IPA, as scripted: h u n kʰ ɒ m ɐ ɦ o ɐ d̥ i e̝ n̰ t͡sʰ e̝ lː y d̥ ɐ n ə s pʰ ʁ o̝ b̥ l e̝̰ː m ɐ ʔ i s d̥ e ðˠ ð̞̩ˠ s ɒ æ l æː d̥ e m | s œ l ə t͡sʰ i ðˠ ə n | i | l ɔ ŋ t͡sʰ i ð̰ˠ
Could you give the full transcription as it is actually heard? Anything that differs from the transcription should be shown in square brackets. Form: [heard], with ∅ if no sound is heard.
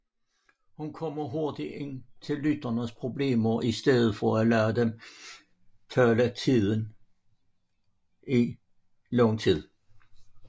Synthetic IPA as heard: h u n kʰ ɒ m ɐ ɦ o ɐ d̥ i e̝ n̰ t͡sʰ e̝ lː y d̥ ɐ n ə s pʰ ʁ o̝ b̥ l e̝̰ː m ɐ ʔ i s d̥ e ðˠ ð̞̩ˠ [f] ɒ æ l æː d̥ e m | [f] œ l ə t͡sʰ i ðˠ ə n | i | l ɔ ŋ t͡sʰ i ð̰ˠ